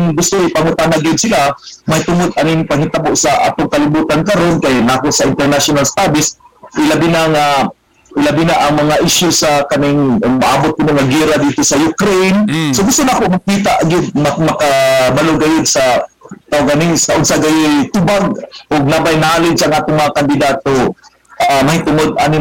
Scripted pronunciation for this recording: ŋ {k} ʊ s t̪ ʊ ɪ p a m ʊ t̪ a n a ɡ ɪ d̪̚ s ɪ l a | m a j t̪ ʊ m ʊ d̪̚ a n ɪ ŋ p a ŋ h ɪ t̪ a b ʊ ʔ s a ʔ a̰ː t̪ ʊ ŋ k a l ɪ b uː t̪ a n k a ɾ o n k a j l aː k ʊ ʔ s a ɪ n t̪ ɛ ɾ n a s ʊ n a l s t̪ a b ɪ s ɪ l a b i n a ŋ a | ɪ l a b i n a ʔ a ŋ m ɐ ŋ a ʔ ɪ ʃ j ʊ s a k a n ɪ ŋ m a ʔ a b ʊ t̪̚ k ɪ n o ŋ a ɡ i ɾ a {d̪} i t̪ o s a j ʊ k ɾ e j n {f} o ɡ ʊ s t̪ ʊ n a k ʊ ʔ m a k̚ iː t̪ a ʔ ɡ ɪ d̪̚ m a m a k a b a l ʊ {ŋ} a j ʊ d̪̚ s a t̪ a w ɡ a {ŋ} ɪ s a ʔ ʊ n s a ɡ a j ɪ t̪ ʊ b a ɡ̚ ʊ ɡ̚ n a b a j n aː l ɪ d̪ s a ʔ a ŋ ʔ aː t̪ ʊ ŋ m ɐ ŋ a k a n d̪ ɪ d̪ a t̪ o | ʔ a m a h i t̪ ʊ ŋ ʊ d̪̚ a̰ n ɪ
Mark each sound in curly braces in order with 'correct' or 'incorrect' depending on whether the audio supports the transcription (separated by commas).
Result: incorrect, correct, incorrect, incorrect, incorrect